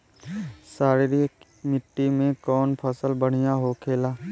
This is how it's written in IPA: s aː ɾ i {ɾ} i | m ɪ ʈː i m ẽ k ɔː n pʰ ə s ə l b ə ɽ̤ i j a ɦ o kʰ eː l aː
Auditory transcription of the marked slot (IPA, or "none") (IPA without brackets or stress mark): ɾ